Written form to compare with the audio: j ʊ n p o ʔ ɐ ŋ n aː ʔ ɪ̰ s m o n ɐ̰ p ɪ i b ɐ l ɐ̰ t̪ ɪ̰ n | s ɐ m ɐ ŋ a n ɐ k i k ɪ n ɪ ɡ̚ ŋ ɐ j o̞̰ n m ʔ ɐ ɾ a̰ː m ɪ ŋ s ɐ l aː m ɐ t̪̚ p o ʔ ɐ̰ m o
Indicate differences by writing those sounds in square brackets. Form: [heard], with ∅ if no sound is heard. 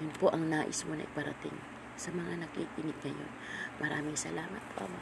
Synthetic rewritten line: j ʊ n p o ʔ ɐ ŋ n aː ʔ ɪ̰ s m o n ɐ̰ [ʔ] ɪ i [p] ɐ [ɾ] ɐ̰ t̪ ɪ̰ [ŋ] | s ɐ m ɐ ŋ a n ɐ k i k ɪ n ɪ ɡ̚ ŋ ɐ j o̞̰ n m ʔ ɐ ɾ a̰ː m ɪ ŋ s ɐ l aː m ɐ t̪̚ p o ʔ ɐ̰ m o